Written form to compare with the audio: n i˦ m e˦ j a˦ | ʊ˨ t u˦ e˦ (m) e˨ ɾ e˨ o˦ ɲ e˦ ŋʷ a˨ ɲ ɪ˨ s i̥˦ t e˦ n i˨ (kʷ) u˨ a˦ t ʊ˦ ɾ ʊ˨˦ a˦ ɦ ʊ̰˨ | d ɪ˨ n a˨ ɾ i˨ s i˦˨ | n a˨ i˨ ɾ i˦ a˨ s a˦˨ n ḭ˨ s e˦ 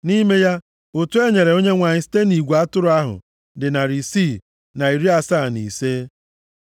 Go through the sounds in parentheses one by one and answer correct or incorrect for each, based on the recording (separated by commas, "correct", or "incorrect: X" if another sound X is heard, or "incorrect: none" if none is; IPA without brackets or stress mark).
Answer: incorrect: ɲ, incorrect: ɡʷ